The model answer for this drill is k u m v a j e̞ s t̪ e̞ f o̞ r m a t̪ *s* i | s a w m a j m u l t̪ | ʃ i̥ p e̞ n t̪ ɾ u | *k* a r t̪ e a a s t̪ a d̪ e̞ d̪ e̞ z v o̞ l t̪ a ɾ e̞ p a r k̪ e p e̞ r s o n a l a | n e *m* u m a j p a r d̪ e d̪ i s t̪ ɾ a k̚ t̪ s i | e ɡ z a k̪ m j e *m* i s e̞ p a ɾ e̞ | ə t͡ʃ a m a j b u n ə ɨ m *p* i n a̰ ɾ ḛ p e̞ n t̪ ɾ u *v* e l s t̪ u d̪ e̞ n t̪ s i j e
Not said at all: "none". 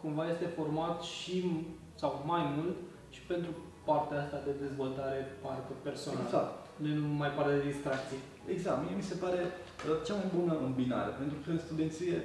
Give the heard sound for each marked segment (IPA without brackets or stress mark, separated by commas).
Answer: ʃ, p, n, m, b, f